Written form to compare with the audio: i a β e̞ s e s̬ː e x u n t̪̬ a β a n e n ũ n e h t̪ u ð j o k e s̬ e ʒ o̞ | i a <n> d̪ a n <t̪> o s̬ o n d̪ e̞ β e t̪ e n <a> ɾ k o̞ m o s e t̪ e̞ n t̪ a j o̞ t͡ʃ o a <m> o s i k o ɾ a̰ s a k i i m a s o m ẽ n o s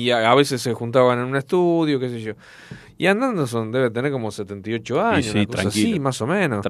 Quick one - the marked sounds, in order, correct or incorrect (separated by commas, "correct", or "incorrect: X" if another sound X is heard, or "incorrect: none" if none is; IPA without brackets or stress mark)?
correct, incorrect: d̪, incorrect: e, incorrect: ɲ